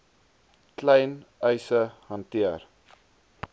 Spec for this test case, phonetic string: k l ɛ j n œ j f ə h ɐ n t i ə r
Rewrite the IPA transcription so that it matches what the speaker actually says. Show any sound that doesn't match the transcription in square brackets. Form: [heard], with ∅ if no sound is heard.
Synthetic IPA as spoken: k l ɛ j n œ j [s] ə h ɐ n t i ə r